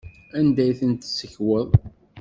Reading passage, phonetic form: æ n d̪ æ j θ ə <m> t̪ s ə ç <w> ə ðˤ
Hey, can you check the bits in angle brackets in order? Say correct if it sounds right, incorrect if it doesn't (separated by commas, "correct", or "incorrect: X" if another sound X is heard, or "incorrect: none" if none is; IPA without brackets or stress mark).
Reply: incorrect: n, correct